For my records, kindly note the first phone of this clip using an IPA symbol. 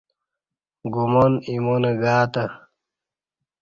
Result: ɡ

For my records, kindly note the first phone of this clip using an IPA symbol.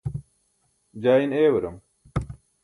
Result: d͡ʑ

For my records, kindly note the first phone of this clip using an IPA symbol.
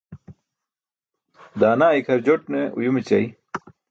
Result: d̪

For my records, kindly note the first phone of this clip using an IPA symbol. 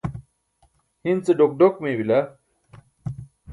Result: h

